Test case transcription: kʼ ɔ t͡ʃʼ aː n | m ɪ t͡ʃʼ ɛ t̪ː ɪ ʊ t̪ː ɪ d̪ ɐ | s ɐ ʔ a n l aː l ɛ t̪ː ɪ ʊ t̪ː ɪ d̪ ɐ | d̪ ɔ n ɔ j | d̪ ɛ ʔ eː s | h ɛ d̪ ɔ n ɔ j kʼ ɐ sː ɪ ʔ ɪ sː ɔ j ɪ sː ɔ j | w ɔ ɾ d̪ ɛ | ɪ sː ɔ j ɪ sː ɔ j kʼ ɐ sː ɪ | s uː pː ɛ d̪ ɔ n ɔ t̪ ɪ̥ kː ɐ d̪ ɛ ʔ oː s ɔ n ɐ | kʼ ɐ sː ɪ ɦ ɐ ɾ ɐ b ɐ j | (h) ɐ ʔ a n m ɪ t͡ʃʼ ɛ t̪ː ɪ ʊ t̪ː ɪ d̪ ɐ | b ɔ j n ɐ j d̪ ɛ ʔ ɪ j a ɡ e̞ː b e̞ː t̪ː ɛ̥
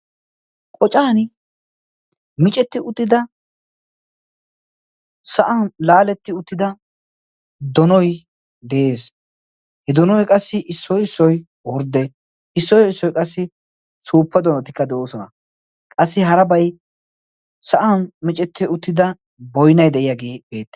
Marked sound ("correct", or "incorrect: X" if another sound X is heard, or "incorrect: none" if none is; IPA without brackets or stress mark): incorrect: s